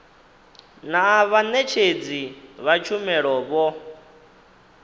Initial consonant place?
alveolar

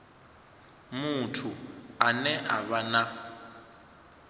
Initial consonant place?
labial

